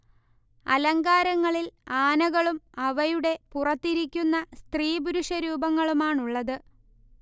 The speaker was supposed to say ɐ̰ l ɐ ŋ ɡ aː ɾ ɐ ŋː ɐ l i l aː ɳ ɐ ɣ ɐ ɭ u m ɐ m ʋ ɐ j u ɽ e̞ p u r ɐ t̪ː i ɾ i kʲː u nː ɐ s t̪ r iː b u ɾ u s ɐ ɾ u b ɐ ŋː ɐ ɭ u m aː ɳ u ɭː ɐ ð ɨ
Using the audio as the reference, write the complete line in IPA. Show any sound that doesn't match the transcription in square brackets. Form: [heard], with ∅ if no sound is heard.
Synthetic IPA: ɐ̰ l ɐ ŋ ɡ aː ɾ ɐ ŋː ɐ [ɭ] i l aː [n] ɐ ɣ ɐ ɭ u m ɐ [∅] ʋ ɐ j u ɽ e̞ p u r ɐ t̪ː i ɾ i kʲː u nː ɐ s t̪ r iː b u ɾ u [ʂ] ɐ ɾ [uː] b ɐ ŋː ɐ ɭ u m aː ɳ u ɭː ɐ ð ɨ